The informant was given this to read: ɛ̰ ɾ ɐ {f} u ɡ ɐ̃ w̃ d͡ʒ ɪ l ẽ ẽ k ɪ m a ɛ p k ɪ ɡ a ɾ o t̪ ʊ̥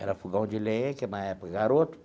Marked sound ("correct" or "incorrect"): correct